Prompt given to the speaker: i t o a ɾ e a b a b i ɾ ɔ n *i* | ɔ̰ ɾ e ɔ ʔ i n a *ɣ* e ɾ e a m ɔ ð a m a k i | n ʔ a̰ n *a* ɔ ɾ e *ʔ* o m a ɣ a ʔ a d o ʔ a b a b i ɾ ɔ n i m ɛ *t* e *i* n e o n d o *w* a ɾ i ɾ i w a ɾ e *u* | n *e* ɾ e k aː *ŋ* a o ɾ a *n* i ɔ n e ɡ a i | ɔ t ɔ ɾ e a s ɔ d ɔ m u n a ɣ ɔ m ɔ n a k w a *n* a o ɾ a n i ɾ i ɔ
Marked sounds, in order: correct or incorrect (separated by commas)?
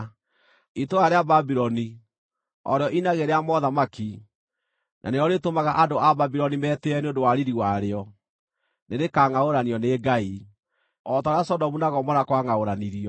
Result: correct, correct, incorrect, incorrect, correct, incorrect, correct, incorrect, correct, correct, correct, incorrect